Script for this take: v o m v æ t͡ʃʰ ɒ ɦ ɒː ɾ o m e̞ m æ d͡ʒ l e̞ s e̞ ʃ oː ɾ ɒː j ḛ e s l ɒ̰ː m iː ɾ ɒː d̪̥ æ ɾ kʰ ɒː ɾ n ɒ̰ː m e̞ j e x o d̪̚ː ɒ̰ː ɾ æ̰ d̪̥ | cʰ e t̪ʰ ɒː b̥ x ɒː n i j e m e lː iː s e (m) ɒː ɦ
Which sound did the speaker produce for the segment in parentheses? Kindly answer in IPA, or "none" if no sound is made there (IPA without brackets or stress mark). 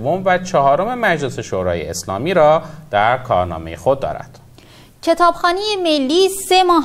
m